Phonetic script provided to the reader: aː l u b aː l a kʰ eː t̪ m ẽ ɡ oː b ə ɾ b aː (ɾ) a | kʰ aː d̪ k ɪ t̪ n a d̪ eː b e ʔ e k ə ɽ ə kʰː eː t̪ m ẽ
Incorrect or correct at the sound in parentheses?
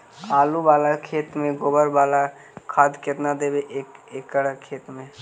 incorrect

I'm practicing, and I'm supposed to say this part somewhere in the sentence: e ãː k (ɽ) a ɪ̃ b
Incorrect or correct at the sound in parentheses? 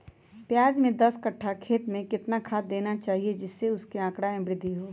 correct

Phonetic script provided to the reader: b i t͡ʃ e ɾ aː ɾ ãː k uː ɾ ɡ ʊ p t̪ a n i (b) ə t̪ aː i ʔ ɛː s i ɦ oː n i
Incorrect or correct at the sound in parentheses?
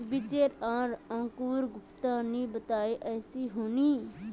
correct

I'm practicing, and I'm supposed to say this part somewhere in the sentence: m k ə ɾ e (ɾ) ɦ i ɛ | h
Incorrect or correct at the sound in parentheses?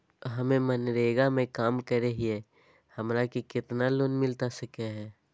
incorrect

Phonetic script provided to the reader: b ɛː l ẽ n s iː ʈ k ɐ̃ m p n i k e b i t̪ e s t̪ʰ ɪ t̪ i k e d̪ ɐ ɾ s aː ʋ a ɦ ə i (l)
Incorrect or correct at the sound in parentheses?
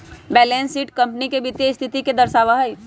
incorrect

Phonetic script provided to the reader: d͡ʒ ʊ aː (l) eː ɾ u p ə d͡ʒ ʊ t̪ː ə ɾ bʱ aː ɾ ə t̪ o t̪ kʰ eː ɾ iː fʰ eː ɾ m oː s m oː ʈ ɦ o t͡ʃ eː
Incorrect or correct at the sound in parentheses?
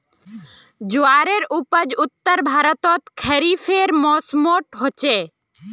incorrect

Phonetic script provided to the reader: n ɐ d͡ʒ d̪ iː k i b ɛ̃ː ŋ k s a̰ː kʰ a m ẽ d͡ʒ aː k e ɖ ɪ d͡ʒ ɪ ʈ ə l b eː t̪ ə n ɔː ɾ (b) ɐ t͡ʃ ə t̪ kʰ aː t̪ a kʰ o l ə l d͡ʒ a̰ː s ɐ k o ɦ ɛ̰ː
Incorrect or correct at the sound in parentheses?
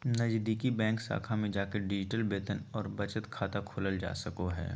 correct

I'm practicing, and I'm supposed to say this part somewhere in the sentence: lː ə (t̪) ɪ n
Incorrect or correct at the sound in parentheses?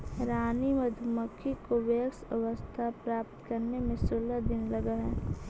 incorrect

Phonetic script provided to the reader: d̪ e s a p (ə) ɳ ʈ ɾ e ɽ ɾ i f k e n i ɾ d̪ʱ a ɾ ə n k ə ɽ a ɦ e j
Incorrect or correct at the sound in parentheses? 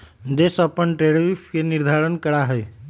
correct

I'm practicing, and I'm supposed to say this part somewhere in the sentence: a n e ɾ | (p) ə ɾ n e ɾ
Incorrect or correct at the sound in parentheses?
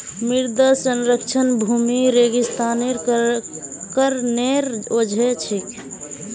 incorrect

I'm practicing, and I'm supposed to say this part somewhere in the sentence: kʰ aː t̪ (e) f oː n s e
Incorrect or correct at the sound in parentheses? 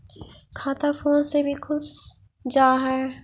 incorrect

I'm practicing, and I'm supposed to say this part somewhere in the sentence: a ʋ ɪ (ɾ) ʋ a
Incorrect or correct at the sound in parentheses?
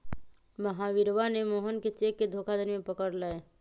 correct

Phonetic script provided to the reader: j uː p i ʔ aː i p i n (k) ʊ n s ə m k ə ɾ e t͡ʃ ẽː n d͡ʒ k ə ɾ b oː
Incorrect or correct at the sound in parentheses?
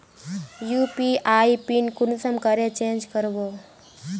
correct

